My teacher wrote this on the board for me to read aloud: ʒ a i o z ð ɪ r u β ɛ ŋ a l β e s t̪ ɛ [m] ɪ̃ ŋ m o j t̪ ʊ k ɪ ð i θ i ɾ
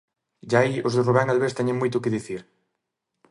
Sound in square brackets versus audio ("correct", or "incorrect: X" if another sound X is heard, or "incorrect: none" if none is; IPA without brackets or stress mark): incorrect: ɲ